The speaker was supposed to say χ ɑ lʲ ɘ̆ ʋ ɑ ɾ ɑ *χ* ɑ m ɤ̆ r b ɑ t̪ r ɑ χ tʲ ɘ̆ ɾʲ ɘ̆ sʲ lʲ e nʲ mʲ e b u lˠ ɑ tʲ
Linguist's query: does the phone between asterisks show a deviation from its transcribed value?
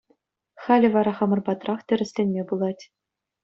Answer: no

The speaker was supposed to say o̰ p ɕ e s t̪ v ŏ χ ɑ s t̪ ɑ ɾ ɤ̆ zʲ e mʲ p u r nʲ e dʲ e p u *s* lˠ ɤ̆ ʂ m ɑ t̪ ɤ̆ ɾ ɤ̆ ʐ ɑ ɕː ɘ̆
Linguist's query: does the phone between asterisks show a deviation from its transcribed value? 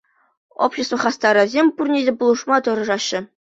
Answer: yes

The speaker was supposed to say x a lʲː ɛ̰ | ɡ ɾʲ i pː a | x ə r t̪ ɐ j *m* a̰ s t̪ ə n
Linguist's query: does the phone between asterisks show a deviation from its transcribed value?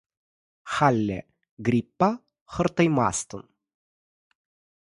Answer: no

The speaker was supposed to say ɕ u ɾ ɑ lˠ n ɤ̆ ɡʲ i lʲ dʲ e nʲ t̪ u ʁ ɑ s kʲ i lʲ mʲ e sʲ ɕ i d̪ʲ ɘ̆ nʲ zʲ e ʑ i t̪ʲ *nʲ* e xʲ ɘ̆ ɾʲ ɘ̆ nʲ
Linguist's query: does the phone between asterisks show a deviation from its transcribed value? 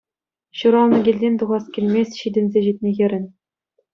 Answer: no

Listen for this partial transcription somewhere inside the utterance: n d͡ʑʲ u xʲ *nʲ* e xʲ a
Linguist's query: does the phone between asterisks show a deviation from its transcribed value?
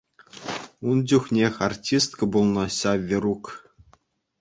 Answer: no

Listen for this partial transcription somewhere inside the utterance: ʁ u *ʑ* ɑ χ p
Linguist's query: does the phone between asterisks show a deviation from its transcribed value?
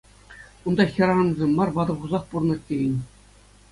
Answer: yes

